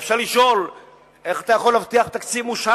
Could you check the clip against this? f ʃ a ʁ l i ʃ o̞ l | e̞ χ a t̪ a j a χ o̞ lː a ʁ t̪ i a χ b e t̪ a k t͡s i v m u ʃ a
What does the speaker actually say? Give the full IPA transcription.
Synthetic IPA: f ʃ a ʁ l i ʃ o̞ l | e̞ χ a t̪ a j a χ o̞ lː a v t̪ i a χ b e t̪ a k t͡s i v m u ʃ a

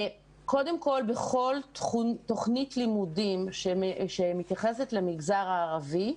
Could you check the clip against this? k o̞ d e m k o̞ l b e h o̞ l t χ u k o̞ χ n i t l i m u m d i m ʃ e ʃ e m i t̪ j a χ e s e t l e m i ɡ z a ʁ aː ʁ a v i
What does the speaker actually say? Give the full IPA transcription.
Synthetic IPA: k o̞ d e m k o̞ l b e χ o̞ l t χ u t o̞ χ n i t l i m u d i m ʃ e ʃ e m i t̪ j a χ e s e t l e m i ɡ z a ʁ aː ʁ a v i

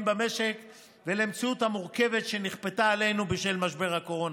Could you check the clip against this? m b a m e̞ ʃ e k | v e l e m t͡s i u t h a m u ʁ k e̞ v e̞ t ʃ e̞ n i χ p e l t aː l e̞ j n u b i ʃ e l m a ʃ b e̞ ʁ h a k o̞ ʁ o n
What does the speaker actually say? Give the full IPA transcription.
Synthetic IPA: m b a m e̞ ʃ e k | v e l e m t͡s i u t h a m u ʁ k e̞ v e̞ t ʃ e̞ n i χ p e t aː l e̞ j n u b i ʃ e l m a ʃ b e̞ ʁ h a k o̞ ʁ o n

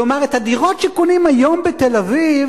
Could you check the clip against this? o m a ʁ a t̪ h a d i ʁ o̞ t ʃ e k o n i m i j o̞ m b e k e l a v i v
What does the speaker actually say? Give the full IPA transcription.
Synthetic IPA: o m a ʁ e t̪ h a d i ʁ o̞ t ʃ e k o n i m a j o̞ m b e t e l a v i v

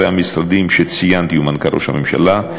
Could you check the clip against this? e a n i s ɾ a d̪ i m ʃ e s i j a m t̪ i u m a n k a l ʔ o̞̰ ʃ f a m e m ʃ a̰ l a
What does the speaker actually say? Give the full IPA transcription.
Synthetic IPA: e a m i s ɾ a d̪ i m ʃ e t͡s i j a n t̪ i u m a n k a ɾ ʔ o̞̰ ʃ h a m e m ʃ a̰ l a

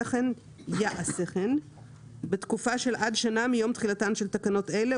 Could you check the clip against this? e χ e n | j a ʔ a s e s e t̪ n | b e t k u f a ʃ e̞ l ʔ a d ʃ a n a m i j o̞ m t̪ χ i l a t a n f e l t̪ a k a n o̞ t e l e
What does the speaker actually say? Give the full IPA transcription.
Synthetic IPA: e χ e n | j a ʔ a s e χ e n | b e t k u f a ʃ e̞ l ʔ a d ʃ a n a m i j o̞ m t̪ χ i l a t a n ʃ e l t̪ a k a n o̞ t e l e

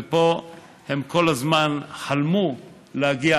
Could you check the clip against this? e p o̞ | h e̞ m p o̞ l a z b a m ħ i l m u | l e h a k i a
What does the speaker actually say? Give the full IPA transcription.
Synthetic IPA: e p o̞ | h e̞ m k o̞ l a z m a n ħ a l m u | l e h a ɡ i a

